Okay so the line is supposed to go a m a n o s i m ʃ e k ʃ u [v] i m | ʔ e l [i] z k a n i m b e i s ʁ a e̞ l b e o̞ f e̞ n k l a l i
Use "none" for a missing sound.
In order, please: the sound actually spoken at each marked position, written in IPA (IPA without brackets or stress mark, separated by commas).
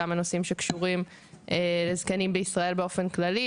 ʁ, e